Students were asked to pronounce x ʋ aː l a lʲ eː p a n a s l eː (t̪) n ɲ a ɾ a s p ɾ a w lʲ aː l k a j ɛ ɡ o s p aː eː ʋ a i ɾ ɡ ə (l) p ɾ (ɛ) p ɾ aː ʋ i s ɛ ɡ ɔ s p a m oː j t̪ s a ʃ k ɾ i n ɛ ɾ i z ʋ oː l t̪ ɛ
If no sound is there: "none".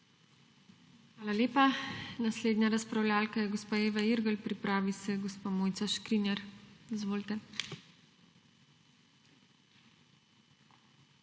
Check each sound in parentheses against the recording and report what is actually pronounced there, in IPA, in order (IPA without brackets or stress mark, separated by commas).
d̪, l, i